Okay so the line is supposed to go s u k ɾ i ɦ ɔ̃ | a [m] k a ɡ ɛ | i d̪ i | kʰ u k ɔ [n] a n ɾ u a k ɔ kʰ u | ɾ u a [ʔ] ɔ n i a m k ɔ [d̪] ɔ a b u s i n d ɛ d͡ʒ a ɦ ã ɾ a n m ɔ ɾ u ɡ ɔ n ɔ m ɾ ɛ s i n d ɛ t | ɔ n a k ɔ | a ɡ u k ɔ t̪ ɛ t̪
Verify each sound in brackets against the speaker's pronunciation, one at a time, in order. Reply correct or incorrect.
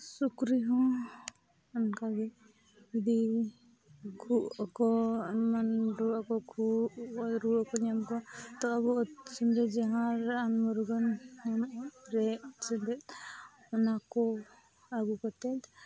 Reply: incorrect, incorrect, incorrect, incorrect

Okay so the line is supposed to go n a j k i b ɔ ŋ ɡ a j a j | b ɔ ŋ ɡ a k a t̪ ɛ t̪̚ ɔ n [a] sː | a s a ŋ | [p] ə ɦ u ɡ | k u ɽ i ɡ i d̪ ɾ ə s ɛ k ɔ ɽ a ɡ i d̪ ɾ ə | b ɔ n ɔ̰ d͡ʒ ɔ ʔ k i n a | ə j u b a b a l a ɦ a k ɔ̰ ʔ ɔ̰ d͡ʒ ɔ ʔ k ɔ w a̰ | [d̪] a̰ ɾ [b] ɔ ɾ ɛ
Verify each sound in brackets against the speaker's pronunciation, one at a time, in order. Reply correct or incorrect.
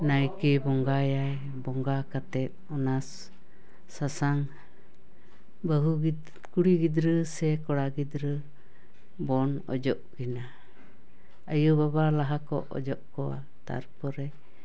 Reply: correct, incorrect, incorrect, incorrect

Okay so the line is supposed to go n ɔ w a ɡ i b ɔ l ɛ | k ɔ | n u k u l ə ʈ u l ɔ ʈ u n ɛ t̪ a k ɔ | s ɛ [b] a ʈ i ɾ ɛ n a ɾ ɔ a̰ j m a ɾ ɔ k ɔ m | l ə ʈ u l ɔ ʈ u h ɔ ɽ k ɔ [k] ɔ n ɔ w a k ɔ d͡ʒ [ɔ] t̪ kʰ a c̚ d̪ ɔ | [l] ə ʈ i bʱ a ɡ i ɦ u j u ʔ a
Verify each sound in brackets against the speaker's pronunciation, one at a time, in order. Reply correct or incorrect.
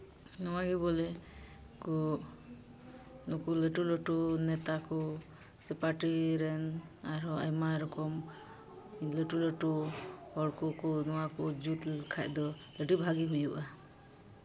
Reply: incorrect, correct, incorrect, correct

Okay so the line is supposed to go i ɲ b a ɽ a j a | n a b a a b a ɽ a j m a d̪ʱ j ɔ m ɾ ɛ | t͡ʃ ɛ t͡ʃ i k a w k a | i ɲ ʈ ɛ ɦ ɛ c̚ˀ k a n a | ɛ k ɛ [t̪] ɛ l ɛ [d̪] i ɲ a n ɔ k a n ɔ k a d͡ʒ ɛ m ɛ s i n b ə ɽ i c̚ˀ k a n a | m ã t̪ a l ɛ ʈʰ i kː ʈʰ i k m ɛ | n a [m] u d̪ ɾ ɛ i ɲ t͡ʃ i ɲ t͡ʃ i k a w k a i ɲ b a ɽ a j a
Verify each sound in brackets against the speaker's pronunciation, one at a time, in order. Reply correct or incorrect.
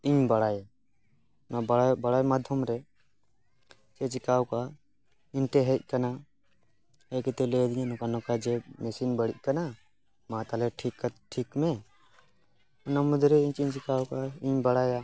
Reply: correct, correct, correct

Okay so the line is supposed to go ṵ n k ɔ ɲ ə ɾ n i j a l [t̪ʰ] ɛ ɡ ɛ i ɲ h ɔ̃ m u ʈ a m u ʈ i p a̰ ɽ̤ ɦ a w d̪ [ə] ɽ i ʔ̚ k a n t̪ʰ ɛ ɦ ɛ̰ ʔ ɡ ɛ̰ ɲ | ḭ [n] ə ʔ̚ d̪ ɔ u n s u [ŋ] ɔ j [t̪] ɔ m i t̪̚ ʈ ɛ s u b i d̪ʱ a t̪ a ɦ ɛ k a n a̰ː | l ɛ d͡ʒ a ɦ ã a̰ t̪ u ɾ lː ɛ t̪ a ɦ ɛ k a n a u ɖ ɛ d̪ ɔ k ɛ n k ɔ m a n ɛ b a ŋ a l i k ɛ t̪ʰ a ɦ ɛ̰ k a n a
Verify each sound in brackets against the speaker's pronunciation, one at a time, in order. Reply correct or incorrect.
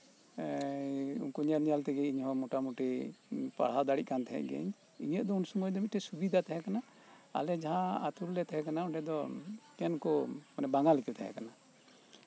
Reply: incorrect, incorrect, incorrect, incorrect, incorrect

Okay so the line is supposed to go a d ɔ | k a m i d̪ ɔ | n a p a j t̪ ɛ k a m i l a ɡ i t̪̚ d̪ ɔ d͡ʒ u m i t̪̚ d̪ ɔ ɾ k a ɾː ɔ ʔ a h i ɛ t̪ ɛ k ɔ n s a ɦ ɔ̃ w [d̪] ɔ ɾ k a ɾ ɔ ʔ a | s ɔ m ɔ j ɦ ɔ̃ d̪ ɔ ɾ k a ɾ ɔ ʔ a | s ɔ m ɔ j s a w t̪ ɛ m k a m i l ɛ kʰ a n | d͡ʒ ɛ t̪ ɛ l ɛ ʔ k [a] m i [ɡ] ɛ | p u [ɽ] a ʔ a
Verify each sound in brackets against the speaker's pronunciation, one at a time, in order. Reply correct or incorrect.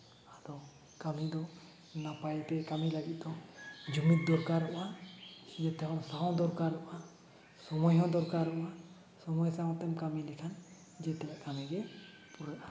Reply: correct, correct, correct, incorrect

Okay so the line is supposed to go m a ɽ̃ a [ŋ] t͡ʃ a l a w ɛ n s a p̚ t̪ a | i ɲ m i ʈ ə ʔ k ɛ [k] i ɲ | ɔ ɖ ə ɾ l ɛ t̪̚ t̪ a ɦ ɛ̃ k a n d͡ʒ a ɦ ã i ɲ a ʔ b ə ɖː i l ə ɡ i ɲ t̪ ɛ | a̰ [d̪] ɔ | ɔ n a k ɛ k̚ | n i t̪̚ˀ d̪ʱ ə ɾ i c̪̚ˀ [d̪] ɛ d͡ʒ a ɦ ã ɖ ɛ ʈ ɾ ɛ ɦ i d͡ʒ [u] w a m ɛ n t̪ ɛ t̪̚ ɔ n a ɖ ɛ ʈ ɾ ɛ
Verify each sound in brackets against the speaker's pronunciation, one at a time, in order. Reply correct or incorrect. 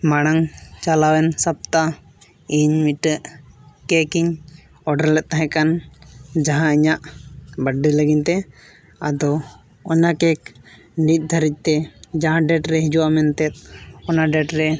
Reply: correct, correct, correct, incorrect, correct

